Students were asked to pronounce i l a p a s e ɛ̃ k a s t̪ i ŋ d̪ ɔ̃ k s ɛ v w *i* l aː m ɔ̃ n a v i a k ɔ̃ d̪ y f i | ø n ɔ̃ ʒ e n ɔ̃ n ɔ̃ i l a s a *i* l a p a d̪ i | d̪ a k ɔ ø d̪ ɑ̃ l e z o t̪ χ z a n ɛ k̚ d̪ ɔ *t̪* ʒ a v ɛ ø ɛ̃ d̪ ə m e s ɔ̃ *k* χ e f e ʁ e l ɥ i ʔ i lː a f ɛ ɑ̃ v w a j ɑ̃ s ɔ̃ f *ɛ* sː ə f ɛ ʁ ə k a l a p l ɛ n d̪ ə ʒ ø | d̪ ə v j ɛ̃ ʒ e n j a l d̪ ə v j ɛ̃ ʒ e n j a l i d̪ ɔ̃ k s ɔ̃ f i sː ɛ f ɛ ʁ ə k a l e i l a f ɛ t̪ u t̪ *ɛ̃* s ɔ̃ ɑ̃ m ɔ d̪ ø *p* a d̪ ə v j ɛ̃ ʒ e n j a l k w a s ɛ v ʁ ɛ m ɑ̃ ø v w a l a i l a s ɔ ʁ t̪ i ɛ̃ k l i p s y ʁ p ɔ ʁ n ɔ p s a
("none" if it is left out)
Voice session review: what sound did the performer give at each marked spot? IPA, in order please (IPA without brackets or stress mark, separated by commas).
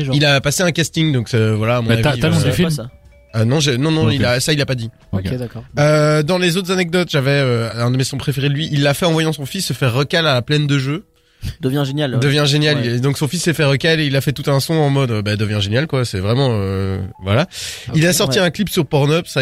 a, i, t̪, p, i, ɛ̃, b